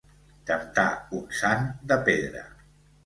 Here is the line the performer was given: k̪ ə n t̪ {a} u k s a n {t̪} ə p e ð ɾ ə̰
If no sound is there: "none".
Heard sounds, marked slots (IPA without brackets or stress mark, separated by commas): a, d̪